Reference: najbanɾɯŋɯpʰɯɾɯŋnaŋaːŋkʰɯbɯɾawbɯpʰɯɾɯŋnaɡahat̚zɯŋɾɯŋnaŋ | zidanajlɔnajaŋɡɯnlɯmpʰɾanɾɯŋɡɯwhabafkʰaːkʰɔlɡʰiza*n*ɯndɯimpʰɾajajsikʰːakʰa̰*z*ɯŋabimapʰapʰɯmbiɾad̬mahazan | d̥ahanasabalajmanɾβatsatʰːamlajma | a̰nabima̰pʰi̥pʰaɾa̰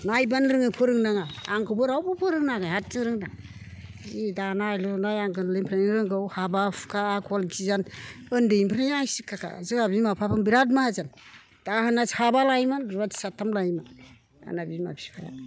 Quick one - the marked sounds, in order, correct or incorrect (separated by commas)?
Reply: correct, correct